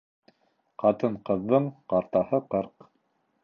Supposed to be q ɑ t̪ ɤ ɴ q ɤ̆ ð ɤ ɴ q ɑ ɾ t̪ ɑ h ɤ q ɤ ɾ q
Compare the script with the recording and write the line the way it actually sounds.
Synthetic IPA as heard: q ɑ t̪ ɤ ɴ q ɤ̆ ðː ɤ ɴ q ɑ ɾ t̪ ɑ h ɤ q ɤ ɾ q